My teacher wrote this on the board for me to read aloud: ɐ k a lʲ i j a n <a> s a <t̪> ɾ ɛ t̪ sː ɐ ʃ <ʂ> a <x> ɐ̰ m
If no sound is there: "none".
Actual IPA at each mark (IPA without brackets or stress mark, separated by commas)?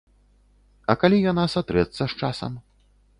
a, t̪, t͡ʂ, s